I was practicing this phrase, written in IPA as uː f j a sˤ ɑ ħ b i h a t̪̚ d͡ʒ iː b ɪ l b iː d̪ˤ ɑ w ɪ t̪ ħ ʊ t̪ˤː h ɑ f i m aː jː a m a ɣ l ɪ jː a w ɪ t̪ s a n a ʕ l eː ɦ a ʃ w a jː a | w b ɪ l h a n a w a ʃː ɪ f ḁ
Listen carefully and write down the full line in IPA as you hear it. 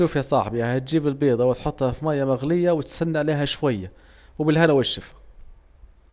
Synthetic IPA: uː f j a sˤ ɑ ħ b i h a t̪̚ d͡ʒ iː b ɪ l b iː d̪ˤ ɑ w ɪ t̪ ħ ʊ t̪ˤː h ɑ f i m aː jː a m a ɣ l ɪ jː a w ɪ t̪ s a nː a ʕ l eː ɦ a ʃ w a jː a | w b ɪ l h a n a w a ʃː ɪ f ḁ